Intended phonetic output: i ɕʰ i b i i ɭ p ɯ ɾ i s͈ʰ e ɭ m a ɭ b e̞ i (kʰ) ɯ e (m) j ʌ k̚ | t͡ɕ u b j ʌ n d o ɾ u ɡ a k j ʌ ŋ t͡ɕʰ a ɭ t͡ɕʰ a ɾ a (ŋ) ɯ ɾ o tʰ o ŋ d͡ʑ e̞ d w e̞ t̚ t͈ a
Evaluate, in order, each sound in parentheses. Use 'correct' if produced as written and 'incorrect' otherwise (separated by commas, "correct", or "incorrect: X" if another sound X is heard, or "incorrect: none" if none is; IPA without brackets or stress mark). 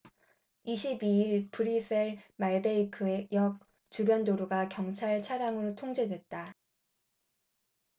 correct, incorrect: none, correct